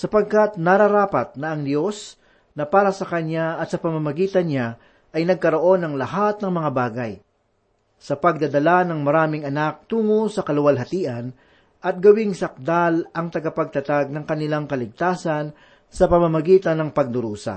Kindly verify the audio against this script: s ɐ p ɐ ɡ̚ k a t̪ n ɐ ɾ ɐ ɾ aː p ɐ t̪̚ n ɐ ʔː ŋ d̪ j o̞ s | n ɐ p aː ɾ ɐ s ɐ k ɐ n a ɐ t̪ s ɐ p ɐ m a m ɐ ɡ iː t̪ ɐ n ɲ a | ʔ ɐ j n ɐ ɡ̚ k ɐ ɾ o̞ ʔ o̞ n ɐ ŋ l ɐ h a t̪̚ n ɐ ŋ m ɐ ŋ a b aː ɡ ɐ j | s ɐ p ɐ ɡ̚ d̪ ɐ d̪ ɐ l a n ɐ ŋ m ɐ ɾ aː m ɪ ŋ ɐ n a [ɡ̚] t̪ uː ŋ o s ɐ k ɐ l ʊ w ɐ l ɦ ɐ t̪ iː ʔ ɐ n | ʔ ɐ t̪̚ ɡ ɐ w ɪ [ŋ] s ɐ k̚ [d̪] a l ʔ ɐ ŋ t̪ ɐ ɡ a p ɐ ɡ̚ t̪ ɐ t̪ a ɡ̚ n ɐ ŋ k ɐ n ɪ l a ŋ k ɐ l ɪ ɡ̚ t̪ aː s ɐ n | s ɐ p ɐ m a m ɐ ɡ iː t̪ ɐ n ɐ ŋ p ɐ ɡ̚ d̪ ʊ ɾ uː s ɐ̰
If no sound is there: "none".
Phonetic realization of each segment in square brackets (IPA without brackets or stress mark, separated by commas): k̚, ŋ, d̪